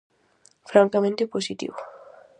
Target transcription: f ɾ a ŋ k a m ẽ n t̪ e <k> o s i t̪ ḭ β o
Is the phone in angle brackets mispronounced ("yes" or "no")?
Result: yes